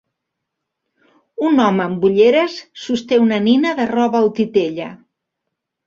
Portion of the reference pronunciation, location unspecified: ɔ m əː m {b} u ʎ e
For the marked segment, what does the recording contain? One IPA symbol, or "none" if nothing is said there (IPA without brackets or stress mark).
b